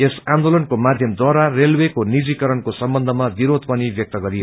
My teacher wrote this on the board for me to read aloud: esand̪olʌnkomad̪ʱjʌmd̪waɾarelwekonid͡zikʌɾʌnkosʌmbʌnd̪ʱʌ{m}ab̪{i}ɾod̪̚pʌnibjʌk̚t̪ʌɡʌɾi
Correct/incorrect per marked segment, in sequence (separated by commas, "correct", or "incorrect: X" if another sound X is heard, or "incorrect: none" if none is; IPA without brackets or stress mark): correct, correct